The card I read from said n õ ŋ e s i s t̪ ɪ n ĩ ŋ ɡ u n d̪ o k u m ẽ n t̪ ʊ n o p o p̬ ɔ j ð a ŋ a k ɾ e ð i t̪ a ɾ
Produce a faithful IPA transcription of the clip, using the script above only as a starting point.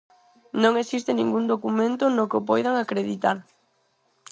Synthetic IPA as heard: n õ ŋ e s i s t̪ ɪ n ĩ ŋ ɡ u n d̪ o k u m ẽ n t̪ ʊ n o k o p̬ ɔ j ð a ŋ a k ɾ e ð i t̪ a ɾ